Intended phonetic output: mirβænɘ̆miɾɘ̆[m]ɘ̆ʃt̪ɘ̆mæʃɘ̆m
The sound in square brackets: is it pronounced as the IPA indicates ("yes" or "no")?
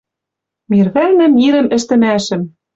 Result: yes